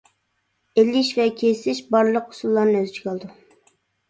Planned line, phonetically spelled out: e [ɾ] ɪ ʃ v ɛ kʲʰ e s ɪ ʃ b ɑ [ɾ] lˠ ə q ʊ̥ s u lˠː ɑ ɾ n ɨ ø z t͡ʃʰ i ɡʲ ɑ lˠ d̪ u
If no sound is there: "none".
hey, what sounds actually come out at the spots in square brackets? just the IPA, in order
l, ɾ

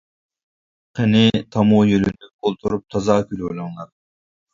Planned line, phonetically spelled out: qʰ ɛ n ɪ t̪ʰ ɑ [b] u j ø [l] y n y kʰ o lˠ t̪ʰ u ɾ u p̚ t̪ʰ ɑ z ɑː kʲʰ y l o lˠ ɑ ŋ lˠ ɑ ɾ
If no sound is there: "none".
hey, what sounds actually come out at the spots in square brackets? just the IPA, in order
m, l

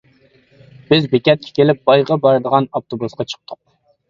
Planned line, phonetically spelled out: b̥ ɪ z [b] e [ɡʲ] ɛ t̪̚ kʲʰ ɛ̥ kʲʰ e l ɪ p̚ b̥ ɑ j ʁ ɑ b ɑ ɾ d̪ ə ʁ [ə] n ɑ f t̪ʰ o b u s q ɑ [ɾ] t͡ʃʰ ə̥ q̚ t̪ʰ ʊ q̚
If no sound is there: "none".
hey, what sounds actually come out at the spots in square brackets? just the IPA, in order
b, kʲ, ɑ, none

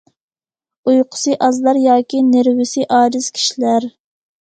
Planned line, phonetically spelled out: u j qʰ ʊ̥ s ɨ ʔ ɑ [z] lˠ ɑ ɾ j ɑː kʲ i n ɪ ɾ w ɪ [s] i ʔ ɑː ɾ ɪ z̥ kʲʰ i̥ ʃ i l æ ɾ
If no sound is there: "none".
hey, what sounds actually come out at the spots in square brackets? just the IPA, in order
z, s

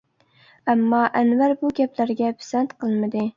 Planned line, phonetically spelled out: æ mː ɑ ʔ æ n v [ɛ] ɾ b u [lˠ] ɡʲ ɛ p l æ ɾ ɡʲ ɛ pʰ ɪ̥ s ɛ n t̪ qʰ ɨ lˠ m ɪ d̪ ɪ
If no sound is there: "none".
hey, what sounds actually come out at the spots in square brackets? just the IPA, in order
æ, none

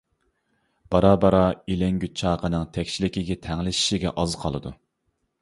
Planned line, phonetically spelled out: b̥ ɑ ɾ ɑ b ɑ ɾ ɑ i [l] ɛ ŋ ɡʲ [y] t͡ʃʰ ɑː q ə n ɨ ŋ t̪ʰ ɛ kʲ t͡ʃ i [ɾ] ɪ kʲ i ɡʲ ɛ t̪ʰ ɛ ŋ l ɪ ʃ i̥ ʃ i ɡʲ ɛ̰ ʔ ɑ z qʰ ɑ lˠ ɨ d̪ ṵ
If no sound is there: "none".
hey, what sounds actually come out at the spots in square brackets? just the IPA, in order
l, y, l

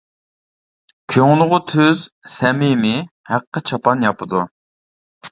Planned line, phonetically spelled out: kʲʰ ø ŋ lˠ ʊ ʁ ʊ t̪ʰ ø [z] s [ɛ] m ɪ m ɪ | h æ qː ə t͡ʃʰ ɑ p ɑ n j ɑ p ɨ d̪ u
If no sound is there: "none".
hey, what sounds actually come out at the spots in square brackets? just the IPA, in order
z, ɛ

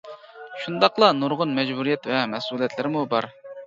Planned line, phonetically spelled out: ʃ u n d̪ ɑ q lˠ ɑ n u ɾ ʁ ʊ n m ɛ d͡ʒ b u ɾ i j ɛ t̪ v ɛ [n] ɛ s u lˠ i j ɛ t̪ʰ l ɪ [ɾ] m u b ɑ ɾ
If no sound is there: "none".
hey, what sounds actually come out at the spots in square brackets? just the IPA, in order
m, ɾ

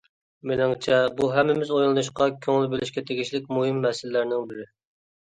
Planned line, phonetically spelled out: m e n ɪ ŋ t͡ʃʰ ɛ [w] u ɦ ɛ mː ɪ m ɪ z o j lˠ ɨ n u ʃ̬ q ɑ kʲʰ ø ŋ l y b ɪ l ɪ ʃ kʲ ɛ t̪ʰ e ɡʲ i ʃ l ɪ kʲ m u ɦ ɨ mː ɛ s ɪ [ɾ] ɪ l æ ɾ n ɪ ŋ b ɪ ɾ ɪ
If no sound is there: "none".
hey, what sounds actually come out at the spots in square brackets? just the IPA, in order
b, l

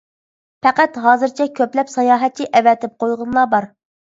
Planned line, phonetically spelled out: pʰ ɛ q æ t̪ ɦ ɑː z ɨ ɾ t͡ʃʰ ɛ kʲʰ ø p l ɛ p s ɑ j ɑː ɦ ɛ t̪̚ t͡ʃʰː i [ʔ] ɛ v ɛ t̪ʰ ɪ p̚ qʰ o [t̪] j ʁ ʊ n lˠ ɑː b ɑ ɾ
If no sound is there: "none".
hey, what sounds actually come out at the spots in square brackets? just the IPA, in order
ʔ, none

